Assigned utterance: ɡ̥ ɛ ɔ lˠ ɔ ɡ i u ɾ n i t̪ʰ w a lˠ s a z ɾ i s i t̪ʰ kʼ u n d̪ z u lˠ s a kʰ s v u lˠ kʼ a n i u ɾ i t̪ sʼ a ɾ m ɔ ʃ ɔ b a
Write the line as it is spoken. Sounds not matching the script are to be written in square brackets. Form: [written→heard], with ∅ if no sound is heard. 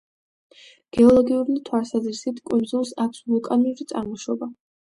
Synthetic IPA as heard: ɡ̥ ɛ ɔ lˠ ɔ ɡ i u ɾ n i t̪ʰ w a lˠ s a z ɾ i s i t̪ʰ kʼ u n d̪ z u lˠ s a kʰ s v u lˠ kʼ a n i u ɾ i t̪ sʼ a ɾ m ɔ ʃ ɔ b a